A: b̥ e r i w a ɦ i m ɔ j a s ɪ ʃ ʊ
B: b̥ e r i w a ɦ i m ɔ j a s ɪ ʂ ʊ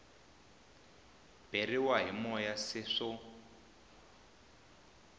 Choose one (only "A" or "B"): B